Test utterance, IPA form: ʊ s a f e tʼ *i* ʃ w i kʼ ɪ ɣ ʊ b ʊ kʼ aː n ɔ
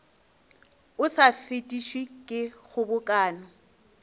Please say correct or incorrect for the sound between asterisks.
correct